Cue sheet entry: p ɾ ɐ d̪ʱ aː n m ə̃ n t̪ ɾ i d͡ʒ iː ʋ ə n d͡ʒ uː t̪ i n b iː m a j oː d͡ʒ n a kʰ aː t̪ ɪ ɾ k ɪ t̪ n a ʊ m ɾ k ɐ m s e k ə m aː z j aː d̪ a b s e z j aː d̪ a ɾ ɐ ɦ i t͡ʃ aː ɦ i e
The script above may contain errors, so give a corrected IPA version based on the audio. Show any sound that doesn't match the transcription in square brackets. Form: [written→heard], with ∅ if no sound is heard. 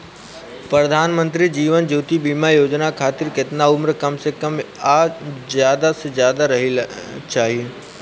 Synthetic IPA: p ɾ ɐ d̪ʱ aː n m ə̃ n t̪ ɾ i d͡ʒ iː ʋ ə n d͡ʒ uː t̪ i [n→∅] b iː m a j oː d͡ʒ n a kʰ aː t̪ ɪ ɾ k ɪ t̪ n a ʊ m ɾ k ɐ m s e k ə m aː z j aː d̪ a [b→∅] s e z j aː d̪ a ɾ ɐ ɦ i t͡ʃ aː ɦ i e